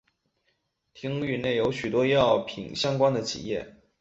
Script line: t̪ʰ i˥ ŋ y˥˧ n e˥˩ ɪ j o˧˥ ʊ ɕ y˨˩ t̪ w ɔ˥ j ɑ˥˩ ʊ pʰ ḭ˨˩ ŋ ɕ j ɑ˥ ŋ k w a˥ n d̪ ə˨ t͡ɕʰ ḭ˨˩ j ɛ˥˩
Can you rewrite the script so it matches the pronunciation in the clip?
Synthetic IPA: t̪ʰ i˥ ŋ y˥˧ n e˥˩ ɪ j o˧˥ ʊ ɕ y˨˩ t̪ w ɔ˥ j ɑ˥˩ ʊ pʰ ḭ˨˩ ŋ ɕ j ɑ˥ ŋ k w a˥ n d̪ ə˨ t͡ɕʰ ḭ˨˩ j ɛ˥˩

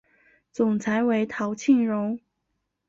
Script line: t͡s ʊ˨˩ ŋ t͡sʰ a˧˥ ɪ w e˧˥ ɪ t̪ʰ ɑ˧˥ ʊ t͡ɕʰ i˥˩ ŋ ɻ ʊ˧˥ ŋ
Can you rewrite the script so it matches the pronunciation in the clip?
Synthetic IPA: t͡s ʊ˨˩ ŋ t͡sʰ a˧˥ ɪ w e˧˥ ɪ t̪ʰ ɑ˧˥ ʊ t͡ɕʰ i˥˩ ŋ ɻ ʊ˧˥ ŋ

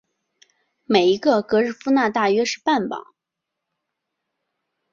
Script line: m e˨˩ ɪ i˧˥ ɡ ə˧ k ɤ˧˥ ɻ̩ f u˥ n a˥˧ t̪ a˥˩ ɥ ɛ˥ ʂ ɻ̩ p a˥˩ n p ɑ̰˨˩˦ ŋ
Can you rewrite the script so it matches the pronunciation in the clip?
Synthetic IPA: m e˨˩ ɪ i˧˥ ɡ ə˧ k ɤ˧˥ ɻ̩ f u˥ n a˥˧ t̪ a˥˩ ɥ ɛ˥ ʂ ɻ̩ p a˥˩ n p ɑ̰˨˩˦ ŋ

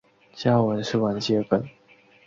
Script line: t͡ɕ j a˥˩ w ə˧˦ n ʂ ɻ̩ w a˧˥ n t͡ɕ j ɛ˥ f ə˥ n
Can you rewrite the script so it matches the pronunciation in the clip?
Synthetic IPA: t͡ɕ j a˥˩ w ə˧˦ n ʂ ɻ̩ w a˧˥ n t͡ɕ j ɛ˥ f ə˨˩ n

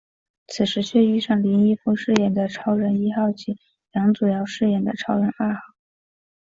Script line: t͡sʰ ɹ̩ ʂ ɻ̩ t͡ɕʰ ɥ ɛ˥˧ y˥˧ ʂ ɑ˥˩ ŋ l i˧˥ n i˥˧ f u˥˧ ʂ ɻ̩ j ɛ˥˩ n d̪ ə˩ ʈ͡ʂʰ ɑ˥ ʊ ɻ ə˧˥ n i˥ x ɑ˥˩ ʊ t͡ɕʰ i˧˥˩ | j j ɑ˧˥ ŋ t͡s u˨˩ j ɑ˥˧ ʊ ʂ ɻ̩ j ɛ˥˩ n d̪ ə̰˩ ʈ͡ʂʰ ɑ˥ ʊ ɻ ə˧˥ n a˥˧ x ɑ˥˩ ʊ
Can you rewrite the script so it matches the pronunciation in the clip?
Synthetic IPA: t͡sʰ ɹ̩ ʂ ɻ̩ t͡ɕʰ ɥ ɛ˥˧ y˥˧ ʂ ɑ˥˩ ŋ l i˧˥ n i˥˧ f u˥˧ ʂ ɻ̩ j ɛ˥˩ n d̪ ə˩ ʈ͡ʂʰ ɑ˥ ʊ ɻ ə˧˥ n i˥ x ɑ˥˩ ʊ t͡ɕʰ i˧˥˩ | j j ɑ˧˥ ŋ t͡s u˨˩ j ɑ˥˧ ʊ ʂ ɻ̩ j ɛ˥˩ n d̪ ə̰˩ ʈ͡ʂʰ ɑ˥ ʊ ɻ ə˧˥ n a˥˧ x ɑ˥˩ ʊ

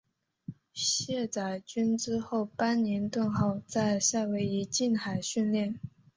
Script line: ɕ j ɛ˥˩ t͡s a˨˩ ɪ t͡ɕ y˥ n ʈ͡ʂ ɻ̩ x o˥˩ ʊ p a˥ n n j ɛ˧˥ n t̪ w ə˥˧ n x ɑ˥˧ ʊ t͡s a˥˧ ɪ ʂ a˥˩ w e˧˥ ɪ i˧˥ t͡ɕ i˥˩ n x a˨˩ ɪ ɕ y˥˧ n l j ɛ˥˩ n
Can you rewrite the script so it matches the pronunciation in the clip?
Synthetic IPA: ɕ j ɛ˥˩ t͡s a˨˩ ɪ t͡ɕ y˥ n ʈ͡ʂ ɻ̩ x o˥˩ ʊ p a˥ n n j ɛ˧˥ n t̪ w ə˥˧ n x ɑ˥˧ ʊ t͡s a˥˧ ɪ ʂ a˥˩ w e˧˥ ɪ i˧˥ t͡ɕ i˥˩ n x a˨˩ ɪ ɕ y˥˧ n l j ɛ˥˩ n

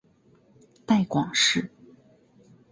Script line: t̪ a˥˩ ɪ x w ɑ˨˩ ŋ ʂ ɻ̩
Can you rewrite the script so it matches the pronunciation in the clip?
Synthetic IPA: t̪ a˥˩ ɪ k w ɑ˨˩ ŋ ʂ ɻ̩

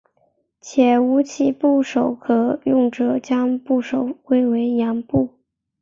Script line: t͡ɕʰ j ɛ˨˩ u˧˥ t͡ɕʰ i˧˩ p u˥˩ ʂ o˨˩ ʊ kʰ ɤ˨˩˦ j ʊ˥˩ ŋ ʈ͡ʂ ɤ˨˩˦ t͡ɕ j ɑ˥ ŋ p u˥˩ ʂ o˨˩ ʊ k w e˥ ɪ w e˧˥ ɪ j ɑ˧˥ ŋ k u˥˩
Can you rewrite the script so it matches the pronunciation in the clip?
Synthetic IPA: t͡ɕʰ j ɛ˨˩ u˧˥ t͡ɕʰ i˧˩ p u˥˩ ʂ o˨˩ ʊ kʰ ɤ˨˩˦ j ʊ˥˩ ŋ ʈ͡ʂ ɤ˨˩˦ t͡ɕ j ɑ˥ ŋ p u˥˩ ʂ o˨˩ ʊ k w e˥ ɪ w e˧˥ ɪ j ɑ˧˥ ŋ p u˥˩

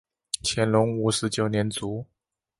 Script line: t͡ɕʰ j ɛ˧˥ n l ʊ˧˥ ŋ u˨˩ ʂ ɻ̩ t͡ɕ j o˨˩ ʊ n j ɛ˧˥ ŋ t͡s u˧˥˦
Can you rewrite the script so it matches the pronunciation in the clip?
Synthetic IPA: t͡ɕʰ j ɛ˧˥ n l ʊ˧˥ ŋ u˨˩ ʂ ɻ̩ t͡ɕ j o˨˩ ʊ n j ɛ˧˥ n t͡s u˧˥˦

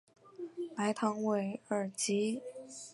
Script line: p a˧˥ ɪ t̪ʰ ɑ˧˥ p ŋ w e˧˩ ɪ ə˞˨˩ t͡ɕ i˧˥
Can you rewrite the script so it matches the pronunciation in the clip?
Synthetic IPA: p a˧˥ ɪ t̪ʰ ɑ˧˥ ŋ w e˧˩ ɪ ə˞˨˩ t͡ɕ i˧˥

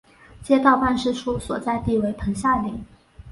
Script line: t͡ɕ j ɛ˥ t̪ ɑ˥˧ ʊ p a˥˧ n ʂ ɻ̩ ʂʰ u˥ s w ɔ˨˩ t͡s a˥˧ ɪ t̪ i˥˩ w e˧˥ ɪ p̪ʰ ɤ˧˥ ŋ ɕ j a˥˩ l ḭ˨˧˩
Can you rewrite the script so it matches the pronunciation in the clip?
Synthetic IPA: t͡ɕ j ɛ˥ t̪ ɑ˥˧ ʊ p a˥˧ n ʂ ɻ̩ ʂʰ u˥ s w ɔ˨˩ t͡s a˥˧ ɪ t̪ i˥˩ w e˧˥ ɪ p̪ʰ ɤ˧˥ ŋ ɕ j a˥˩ l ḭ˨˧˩

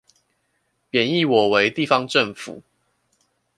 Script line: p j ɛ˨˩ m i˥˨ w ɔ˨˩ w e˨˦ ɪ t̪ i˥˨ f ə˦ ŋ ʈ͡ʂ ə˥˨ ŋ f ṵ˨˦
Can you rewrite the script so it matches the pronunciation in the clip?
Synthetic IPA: p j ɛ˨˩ n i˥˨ w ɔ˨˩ w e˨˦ ɪ t̪ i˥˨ f ɑ˦ ŋ ʈ͡ʂ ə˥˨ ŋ f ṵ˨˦

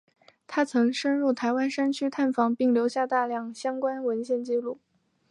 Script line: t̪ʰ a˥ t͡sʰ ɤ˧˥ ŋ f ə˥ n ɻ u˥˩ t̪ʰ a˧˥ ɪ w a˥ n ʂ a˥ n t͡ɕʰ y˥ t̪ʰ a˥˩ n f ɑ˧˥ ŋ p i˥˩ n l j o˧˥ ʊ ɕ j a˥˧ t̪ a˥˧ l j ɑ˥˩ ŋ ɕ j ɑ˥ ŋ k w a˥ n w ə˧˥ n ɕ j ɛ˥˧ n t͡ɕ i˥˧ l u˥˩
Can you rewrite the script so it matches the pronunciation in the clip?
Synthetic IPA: t̪ʰ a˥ t͡sʰ ɤ˧˥ ŋ ʂ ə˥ n ɻ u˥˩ t̪ʰ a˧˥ ɪ w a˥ n ʂ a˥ n t͡ɕʰ y˥ t̪ʰ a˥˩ n f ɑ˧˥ ŋ p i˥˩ ŋ l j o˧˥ ʊ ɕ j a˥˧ t̪ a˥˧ l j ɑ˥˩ ŋ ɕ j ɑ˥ ŋ k w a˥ n w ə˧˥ n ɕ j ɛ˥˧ n t͡ɕ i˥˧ l u˥˩

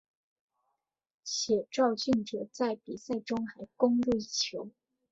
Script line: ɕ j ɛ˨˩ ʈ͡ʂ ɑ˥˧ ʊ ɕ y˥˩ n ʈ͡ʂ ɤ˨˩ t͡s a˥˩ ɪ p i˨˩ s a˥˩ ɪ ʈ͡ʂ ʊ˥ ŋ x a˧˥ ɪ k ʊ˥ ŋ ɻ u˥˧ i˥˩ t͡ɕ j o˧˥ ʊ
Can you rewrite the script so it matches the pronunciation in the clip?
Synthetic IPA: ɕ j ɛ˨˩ ʈ͡ʂ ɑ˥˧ ʊ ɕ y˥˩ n ʈ͡ʂ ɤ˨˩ t͡s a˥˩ ɪ p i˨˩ s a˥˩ ɪ ʈ͡ʂ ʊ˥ ŋ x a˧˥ ɪ k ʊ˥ ŋ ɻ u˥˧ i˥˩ t͡ɕʰ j o˧˥ ʊ

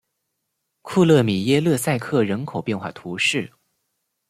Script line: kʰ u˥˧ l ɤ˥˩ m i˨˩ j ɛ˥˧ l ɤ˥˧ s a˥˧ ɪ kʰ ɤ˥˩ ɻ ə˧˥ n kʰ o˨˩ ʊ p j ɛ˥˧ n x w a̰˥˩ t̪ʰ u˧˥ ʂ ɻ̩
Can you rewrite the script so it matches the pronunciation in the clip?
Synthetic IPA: kʰ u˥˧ l ɤ˥˩ m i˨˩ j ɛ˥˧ l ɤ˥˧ s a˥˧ ɪ kʰ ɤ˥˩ ɻ ə˧˥ n kʰ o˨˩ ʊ p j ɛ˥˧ n x w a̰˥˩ t̪ʰ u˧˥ ʂ ɻ̩

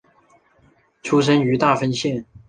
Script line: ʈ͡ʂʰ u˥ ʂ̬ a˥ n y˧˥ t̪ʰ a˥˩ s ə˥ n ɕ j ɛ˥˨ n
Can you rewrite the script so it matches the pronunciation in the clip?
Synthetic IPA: ʈ͡ʂʰ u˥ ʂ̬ ə˥ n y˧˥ t̪ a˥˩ f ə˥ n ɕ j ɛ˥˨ n

